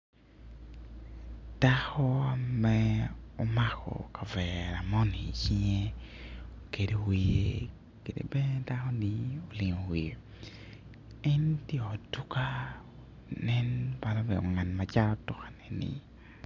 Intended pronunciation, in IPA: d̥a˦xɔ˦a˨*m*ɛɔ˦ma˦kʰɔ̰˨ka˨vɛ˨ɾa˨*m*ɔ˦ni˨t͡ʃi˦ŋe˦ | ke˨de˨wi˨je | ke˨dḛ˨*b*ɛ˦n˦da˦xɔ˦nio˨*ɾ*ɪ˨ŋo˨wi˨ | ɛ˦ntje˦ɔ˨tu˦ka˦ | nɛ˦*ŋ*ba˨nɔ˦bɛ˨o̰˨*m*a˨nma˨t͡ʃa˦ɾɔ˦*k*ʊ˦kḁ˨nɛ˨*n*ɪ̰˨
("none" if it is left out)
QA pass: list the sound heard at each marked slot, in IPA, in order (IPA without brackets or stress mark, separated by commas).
m, m, b, l, n, ŋ, t, n